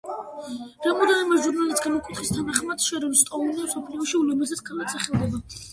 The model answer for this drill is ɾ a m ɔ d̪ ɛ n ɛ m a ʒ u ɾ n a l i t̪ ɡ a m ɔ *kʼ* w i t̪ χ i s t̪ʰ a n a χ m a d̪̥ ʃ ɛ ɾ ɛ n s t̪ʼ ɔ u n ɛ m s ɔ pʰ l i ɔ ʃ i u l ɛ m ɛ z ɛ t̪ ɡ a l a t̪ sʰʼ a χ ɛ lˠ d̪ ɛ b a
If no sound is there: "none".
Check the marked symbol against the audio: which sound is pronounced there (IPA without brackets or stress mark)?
kʼ